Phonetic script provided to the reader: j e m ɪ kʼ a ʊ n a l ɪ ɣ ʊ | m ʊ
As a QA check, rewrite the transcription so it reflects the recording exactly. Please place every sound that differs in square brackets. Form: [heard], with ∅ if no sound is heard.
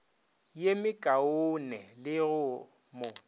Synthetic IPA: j e m ɪ kʼ a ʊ n [ɛ] l ɪ ɣ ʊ | m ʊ